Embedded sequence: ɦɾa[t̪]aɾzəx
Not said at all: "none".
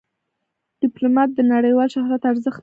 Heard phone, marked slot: t̪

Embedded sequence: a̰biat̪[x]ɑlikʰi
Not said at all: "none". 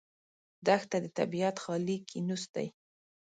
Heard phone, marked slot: x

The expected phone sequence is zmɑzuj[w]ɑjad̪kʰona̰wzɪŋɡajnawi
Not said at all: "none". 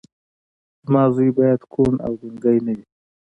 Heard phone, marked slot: b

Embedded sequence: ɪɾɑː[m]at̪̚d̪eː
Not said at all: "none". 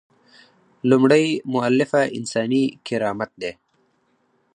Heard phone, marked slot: m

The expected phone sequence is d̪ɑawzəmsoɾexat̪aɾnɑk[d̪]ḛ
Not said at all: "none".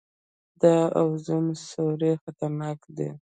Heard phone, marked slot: d̪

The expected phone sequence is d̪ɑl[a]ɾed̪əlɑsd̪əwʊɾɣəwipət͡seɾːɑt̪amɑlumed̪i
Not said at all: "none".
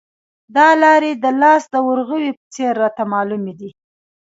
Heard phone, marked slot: ɑ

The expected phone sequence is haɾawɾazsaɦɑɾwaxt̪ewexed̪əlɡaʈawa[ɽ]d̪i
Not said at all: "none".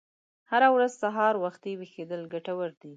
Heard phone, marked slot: ɾ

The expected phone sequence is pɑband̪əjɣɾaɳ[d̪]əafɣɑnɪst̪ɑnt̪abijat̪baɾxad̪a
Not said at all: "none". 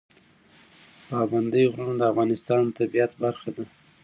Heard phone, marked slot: d̪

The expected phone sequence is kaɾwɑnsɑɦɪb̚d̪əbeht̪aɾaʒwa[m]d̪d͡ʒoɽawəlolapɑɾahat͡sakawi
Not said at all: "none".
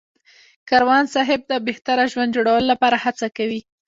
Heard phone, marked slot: n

